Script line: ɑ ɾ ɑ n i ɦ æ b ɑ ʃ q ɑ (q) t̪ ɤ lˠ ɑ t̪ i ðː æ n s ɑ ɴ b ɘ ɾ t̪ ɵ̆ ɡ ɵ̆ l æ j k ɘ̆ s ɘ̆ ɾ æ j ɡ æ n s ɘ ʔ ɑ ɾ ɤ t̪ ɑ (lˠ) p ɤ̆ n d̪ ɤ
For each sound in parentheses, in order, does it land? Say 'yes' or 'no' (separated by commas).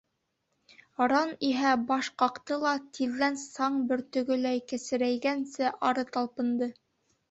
yes, yes